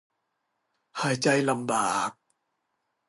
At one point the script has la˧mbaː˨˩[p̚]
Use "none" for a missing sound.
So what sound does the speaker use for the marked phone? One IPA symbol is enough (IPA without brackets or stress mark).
k̚